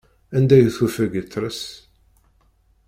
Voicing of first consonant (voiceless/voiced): voiced